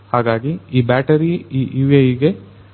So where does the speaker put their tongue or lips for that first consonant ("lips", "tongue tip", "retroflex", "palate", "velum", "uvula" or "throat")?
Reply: throat